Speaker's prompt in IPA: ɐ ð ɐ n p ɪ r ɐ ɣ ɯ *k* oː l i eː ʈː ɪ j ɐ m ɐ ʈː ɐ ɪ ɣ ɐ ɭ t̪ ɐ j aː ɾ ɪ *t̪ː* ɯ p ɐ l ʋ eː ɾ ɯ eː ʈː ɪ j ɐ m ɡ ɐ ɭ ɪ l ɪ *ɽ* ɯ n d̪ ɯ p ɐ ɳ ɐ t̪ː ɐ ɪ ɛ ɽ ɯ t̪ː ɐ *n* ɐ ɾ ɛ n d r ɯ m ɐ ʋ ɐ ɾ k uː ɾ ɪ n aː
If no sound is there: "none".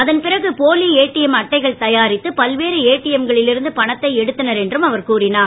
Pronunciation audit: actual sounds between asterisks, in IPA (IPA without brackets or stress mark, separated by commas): p, t̪ː, ɾ, n